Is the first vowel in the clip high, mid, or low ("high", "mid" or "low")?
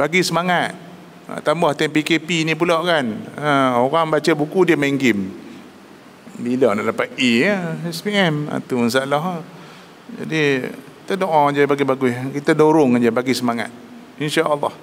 low